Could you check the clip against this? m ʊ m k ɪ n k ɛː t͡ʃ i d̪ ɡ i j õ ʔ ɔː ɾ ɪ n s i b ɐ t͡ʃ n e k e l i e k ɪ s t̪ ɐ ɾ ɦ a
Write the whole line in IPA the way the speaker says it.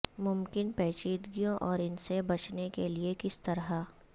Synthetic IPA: m ʊ m k ɪ n p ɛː t͡ʃ iː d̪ ɡ i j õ ʔ ɔː ɾ ɪ n s e b ɐ t͡ʃ n e k e l i e k ɪ s t̪ ɐ ɾ ɦ a